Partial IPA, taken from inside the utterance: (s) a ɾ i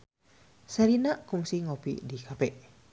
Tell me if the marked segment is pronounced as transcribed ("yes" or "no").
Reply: yes